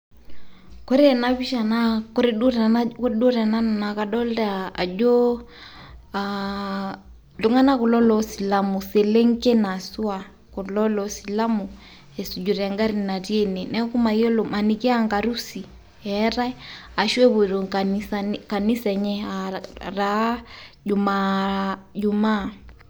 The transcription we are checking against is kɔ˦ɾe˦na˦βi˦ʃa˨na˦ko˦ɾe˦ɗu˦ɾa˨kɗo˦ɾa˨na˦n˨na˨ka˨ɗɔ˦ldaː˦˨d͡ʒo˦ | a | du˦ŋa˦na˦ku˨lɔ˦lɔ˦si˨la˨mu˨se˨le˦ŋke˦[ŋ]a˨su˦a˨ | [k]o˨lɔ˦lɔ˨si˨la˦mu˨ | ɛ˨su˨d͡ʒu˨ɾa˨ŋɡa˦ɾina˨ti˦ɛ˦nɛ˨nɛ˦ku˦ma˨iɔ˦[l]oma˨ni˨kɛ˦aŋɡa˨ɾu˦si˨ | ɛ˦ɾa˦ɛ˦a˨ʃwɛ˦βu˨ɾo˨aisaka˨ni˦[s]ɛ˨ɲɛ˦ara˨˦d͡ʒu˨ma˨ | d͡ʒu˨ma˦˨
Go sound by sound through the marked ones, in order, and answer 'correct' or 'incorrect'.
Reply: incorrect: n, correct, correct, correct

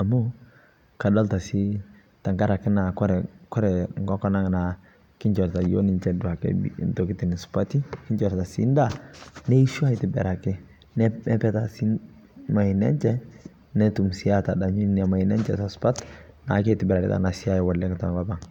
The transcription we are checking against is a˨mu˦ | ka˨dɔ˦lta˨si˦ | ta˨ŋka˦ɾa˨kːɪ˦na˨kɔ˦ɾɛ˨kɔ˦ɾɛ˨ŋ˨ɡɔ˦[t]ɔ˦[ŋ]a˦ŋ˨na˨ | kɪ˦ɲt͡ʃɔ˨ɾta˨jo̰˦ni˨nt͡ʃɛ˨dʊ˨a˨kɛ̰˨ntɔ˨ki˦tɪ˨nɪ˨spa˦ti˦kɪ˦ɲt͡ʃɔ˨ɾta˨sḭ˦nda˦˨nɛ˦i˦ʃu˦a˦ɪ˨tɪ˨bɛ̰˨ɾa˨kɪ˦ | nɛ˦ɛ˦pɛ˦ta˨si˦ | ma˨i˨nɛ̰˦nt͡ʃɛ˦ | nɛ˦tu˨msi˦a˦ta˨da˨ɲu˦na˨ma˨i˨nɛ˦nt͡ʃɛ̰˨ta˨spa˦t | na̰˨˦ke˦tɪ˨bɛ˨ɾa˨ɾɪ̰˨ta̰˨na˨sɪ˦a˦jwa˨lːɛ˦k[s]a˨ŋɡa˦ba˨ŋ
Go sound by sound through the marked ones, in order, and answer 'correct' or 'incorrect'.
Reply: incorrect: k, incorrect: n, incorrect: t

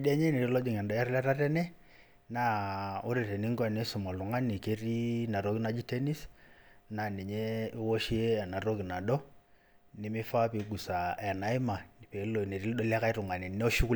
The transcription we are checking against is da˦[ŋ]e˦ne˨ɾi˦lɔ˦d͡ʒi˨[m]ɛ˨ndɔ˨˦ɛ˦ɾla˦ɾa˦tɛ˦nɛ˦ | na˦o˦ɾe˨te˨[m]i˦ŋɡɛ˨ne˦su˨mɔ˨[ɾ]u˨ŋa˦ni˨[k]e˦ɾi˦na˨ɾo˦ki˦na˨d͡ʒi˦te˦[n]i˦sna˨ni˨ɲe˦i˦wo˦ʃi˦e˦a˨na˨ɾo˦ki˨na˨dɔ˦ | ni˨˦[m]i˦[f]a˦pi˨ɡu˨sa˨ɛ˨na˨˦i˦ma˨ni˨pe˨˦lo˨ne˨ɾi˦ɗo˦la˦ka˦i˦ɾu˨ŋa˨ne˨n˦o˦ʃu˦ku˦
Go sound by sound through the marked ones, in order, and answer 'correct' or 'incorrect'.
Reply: incorrect: ɲ, incorrect: ŋ, incorrect: n, incorrect: l, correct, correct, correct, correct

